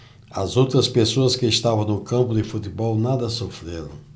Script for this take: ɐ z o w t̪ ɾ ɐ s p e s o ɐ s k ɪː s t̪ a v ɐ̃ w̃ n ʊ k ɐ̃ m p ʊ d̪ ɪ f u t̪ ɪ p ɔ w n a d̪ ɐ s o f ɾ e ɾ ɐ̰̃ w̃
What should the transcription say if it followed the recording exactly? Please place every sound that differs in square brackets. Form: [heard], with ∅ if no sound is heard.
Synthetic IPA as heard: ɐ z o w t̪ ɾ ɐ s p e s o ɐ s k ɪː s t̪ a v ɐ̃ w̃ n ʊ k ɐ̃ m p ʊ d̪ ɪ f u t̪ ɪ [b] ɔ w n a d̪ ɐ s o f ɾ e ɾ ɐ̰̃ w̃